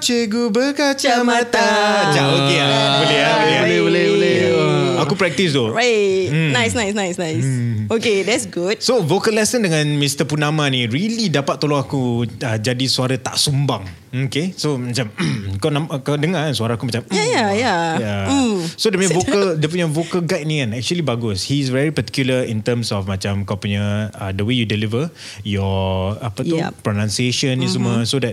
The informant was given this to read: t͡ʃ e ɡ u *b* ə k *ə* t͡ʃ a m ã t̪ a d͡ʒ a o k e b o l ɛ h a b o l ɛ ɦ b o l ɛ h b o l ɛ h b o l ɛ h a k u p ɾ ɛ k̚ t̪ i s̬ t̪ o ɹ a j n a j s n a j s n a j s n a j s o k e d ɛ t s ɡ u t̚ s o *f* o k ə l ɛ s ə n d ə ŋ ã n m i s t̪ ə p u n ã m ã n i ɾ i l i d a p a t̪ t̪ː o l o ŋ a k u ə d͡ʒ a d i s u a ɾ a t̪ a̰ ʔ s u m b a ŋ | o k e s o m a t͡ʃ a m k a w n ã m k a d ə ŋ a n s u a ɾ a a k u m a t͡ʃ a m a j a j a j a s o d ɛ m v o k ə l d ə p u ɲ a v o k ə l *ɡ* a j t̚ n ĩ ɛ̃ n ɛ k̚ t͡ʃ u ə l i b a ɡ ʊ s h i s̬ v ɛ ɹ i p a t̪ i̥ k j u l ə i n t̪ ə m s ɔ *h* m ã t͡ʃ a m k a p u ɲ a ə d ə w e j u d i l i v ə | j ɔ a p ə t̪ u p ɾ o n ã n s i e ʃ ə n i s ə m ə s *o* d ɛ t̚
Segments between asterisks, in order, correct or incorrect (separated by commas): correct, incorrect, incorrect, correct, incorrect, correct